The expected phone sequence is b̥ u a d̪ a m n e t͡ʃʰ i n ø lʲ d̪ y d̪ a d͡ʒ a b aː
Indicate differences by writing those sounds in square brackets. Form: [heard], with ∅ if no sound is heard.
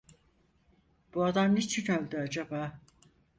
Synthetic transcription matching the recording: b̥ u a d̪ a m n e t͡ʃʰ i n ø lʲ d̪ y [∅] a d͡ʒ a b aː